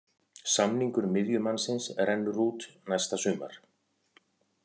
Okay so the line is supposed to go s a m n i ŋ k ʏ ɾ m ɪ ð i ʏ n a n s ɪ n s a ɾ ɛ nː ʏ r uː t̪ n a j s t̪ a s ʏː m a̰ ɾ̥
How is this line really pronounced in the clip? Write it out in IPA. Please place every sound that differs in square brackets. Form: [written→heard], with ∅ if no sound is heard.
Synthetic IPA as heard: s a m n i ŋ k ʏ ɾ m ɪ ð [i→j] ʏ [n→m] a n s ɪ n s [a→ɛ] ɾ ɛ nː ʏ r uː t̪ n a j s t̪ a s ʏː m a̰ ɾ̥